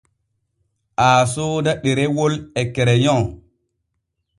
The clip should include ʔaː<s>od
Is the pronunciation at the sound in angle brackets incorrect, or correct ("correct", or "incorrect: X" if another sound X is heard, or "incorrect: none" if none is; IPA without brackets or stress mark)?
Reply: correct